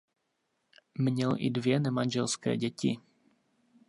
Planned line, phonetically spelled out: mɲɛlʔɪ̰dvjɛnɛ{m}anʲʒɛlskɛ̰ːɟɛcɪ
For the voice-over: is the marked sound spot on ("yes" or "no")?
yes